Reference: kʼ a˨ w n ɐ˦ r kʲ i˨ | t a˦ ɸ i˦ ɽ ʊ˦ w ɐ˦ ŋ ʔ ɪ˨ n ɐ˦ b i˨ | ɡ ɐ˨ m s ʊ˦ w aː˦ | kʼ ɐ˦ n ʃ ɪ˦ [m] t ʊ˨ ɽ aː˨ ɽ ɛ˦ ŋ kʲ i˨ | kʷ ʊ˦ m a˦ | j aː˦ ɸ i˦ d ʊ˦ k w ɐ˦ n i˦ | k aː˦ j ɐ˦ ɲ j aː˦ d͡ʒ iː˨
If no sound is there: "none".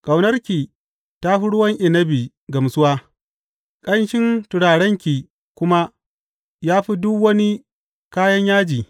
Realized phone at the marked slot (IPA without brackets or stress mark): n